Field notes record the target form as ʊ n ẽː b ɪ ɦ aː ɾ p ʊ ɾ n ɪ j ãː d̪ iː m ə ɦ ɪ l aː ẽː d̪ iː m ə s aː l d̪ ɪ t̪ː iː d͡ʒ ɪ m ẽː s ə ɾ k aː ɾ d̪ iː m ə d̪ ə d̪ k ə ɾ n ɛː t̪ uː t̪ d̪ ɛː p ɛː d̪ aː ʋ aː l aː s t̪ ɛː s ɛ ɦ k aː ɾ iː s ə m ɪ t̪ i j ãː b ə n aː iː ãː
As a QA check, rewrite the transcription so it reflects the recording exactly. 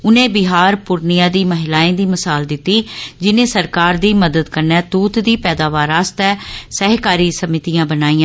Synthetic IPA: ʊ n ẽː b ɪ ɦ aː ɾ p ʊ ɾ n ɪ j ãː d̪ iː m ə ɦ ɪ l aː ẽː d̪ iː m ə s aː l d̪ ɪ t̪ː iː d͡ʒ ɪ n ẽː s ə ɾ k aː ɾ d̪ iː m ə d̪ ə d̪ k ə ɾ n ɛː t̪ uː t̪ d̪ iː p ɛː d̪ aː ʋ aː ɾ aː s t̪ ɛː s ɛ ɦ k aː ɾ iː s ə m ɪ t̪ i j ãː b ə n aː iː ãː